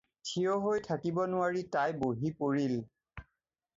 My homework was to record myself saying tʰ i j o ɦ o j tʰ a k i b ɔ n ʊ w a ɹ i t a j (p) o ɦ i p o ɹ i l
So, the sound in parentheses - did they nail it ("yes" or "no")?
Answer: no